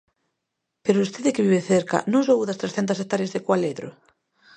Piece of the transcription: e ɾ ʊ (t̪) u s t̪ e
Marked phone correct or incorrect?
incorrect